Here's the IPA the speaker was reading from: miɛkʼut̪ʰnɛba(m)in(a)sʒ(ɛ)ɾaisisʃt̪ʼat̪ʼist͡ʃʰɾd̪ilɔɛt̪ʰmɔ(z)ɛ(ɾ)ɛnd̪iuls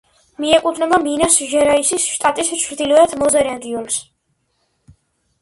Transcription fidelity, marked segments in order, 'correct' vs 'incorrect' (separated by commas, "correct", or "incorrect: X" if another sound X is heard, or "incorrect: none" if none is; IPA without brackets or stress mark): correct, correct, correct, correct, correct